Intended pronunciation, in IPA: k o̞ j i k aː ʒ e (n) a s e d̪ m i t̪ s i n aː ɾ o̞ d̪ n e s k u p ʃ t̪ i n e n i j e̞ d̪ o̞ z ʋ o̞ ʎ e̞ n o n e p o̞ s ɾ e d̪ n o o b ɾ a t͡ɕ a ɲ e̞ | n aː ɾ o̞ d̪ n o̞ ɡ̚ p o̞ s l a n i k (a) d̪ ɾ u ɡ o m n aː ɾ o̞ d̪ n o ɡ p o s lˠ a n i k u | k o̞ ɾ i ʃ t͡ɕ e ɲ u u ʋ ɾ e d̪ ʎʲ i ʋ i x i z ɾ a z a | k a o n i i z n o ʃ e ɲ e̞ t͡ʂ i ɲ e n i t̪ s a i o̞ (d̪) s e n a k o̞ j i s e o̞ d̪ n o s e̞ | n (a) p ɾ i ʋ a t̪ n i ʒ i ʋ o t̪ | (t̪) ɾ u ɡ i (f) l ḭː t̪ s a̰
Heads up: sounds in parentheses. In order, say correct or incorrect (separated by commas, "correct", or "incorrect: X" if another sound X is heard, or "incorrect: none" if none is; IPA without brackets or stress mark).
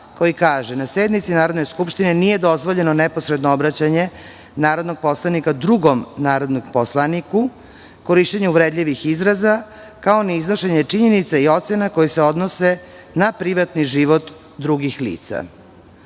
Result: correct, correct, incorrect: t̪, correct, incorrect: d̪, incorrect: x